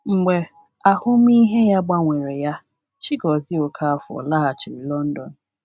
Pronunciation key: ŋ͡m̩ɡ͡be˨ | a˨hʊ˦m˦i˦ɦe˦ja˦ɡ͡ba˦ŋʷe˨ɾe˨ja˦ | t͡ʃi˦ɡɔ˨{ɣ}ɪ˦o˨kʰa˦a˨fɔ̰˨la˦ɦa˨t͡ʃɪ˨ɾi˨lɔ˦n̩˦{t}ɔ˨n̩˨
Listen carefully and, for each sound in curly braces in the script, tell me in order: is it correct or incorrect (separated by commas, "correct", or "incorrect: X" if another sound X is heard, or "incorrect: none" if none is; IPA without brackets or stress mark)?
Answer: incorrect: z, incorrect: d